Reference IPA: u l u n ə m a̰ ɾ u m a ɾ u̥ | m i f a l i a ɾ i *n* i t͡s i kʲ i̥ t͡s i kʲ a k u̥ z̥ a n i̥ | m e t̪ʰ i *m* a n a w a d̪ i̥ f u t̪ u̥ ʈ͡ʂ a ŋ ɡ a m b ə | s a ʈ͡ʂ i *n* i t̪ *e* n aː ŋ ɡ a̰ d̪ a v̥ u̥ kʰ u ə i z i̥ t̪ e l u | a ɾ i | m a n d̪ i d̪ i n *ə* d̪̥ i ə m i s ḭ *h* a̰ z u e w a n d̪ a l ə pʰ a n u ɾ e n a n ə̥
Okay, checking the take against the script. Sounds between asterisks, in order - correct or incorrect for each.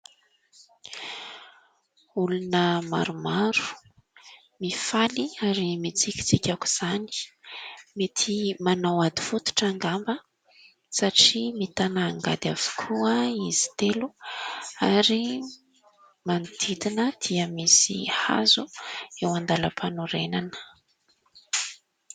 incorrect: m, correct, incorrect: m, incorrect: a, correct, correct

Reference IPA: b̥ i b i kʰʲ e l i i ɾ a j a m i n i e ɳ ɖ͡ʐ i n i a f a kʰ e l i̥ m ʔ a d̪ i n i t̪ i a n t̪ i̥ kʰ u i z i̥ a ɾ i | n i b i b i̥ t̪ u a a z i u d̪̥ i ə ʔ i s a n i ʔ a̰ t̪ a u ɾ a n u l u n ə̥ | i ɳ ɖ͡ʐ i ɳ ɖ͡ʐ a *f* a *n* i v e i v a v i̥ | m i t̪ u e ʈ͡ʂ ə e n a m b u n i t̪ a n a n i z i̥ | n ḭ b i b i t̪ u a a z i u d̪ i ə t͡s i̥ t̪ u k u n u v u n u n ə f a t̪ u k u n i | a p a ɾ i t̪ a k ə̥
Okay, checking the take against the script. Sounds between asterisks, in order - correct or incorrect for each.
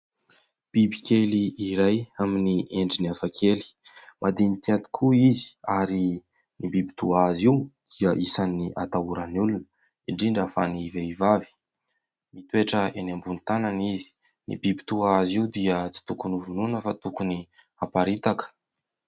correct, correct

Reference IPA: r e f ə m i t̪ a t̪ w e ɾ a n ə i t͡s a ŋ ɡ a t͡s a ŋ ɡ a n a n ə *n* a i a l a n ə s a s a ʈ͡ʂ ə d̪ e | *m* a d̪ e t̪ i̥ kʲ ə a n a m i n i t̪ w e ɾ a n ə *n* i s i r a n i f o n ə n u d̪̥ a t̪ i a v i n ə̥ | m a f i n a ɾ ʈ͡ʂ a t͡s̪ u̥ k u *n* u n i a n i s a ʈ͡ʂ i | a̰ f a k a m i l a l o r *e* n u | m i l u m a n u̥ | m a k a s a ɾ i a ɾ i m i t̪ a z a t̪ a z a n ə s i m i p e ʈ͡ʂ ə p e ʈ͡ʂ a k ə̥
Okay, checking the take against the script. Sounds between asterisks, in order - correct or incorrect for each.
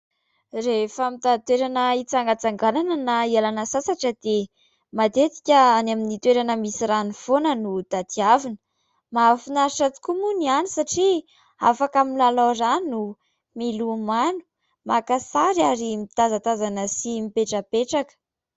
correct, correct, incorrect: m, incorrect: m, incorrect: a

